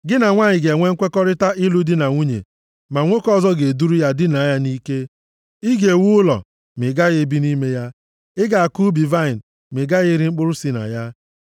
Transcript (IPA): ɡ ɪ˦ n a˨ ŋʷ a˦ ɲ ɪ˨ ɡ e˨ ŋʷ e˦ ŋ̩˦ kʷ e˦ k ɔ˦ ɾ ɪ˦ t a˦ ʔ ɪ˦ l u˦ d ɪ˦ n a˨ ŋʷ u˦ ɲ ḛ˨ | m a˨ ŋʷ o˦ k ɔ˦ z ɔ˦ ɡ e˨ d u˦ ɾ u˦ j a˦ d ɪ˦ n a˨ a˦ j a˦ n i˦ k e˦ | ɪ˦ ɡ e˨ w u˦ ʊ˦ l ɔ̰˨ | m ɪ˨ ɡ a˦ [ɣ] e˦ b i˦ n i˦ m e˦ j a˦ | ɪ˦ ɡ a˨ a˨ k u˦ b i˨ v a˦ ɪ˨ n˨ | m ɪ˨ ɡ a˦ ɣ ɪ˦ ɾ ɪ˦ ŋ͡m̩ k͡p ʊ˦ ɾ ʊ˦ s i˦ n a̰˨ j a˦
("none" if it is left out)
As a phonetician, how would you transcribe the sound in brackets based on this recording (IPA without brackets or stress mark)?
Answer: ɣ